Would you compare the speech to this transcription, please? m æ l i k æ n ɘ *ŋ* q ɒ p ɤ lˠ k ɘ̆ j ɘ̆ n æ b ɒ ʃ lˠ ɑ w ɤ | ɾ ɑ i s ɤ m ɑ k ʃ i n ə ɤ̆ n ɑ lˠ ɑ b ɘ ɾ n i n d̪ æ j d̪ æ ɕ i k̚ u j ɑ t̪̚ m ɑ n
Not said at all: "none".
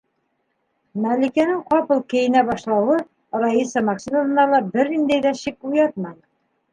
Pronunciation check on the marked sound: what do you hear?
ŋ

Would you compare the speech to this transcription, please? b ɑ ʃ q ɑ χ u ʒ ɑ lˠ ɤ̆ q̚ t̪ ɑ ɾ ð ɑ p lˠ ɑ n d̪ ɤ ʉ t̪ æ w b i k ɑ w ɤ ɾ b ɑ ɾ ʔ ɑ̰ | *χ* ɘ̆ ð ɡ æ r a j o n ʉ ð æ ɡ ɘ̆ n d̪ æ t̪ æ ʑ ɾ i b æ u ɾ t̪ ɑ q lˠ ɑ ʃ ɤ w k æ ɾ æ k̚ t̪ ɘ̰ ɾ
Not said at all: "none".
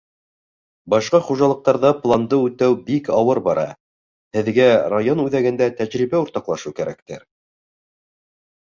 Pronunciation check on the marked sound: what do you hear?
h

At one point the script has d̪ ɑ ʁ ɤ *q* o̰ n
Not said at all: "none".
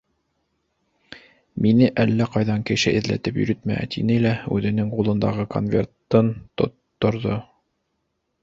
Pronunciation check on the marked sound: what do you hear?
k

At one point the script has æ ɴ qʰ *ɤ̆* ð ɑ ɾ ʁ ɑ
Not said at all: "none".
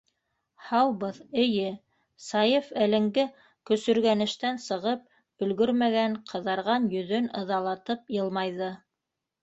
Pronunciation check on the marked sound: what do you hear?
ɤ̆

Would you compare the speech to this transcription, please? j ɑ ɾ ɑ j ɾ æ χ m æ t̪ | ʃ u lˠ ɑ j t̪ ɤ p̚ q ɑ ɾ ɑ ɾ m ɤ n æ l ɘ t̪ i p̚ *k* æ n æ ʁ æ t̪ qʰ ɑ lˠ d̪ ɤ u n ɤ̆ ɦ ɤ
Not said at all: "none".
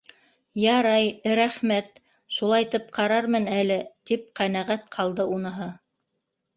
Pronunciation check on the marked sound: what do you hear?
q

